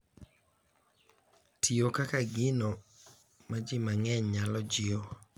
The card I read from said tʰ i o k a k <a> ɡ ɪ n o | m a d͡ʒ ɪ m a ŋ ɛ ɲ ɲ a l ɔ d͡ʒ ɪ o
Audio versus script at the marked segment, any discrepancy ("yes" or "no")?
no